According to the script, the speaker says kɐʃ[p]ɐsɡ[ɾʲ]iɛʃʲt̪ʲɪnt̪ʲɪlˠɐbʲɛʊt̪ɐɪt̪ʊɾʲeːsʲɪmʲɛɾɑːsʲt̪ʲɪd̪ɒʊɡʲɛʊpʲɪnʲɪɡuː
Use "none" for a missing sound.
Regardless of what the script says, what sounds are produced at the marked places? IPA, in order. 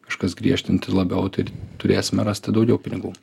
k, ɾʲ

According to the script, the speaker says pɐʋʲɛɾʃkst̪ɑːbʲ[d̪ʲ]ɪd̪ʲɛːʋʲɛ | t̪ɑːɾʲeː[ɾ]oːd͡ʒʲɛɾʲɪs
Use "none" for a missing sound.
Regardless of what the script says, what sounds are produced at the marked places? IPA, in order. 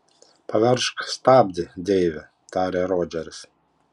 d̪ʲ, ɾ

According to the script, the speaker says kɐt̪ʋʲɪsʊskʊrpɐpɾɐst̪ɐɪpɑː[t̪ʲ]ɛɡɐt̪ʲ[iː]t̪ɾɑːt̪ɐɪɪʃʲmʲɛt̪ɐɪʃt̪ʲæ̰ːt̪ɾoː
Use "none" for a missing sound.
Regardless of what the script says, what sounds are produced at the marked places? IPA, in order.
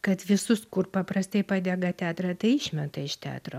d̪ʲ, æː

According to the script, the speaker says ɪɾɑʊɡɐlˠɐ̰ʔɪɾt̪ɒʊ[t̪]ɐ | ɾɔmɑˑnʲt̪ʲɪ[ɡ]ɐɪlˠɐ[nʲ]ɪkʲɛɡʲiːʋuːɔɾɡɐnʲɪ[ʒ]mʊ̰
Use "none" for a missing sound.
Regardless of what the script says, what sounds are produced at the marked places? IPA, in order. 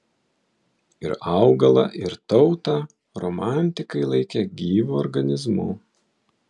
t̪, k, none, z

